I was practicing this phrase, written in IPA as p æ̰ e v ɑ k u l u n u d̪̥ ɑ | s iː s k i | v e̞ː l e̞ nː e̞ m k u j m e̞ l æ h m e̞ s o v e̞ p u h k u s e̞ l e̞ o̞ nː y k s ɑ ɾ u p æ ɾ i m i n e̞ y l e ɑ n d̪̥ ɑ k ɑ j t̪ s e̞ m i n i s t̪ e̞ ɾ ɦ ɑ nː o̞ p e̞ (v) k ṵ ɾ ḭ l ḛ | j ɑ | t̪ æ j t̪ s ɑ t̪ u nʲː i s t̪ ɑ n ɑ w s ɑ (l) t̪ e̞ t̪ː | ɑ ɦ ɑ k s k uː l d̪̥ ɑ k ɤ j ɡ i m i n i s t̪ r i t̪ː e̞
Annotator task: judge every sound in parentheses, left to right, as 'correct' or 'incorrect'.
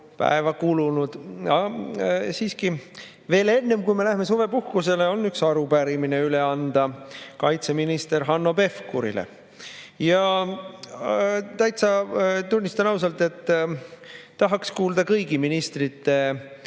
incorrect: f, correct

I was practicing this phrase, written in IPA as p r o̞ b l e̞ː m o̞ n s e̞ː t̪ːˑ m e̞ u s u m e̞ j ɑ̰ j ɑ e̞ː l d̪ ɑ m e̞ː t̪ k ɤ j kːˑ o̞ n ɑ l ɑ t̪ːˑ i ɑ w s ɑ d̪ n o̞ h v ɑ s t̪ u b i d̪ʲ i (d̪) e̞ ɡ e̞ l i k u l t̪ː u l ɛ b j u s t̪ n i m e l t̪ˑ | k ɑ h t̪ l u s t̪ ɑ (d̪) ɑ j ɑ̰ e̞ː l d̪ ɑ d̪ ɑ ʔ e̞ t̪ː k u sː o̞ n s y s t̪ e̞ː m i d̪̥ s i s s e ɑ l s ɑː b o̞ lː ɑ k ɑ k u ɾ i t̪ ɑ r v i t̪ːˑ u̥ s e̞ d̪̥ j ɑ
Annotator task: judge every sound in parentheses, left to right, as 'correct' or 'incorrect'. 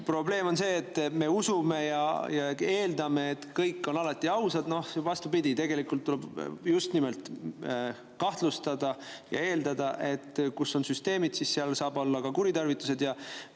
incorrect: t̪, correct

